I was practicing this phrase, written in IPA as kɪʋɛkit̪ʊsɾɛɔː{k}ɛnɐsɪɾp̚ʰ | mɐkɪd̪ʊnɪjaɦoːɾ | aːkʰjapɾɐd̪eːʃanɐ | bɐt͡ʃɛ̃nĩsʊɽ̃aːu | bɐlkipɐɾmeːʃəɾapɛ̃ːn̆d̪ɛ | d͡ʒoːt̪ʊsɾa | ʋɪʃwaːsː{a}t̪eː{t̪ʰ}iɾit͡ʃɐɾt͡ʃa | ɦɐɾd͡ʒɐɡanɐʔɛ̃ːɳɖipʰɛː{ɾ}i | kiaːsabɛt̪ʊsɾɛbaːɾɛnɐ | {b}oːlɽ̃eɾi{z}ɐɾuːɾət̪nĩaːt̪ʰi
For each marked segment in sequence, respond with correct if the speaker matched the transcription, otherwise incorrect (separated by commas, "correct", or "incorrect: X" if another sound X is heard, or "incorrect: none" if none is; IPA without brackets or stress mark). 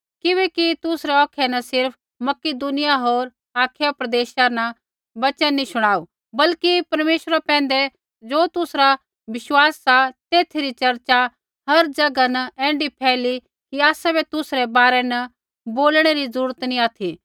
incorrect: kʰ, correct, correct, incorrect: l, correct, correct